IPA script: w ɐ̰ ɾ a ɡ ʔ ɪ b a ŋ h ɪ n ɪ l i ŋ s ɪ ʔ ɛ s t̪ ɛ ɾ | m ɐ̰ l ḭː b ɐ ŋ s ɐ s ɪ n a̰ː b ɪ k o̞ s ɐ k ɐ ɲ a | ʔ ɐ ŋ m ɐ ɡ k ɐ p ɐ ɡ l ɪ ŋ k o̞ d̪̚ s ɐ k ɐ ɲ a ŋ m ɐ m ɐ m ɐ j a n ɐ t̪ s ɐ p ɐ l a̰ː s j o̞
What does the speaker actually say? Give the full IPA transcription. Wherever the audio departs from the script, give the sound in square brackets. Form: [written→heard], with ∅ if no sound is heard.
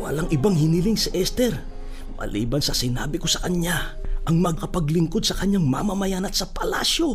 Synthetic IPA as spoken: w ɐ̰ [ɾ→l] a [ɡ→ŋ] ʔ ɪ b a ŋ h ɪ n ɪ l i ŋ s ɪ ʔ ɛ s t̪ ɛ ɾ | m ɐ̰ l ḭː b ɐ [ŋ→n] s ɐ s ɪ n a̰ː b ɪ k o̞ s ɐ k ɐ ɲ a | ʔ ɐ ŋ m ɐ ɡ k ɐ p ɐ ɡ l ɪ ŋ k o̞ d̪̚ s ɐ k ɐ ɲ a ŋ m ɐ m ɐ m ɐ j a n ɐ t̪ s ɐ p ɐ l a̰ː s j o̞